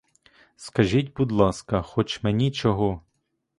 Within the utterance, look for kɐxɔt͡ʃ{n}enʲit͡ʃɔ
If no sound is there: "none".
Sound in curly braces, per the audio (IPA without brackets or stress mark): m